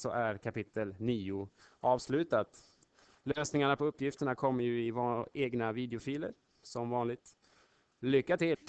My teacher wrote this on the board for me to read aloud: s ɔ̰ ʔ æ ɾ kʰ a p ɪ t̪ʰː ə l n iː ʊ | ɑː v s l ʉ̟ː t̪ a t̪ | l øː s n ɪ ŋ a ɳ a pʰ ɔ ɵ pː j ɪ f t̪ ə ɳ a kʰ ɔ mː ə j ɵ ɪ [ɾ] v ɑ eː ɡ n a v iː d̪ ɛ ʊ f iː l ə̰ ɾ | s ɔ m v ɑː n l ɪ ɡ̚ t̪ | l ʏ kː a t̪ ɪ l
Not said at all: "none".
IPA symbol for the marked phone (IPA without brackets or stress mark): none